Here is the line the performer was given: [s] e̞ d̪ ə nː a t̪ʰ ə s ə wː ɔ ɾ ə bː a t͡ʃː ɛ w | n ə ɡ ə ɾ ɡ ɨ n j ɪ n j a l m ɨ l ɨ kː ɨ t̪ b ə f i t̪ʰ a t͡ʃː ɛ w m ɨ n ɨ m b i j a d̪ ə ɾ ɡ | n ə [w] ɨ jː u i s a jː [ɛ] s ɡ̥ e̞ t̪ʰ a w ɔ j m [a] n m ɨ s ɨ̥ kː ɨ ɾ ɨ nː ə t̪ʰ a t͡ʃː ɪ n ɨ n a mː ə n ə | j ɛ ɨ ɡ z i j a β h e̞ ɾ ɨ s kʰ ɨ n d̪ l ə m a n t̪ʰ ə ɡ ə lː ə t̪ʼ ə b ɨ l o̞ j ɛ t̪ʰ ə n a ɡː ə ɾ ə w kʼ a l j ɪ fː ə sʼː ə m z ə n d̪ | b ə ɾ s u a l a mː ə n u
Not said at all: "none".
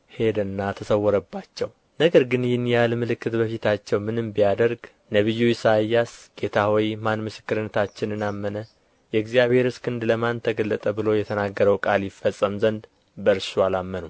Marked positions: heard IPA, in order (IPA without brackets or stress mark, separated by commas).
h, β, a, a